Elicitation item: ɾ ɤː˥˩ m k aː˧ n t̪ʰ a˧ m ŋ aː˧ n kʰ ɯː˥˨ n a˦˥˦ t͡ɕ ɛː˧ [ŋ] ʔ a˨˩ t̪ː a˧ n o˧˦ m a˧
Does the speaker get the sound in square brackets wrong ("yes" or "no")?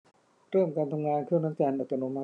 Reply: yes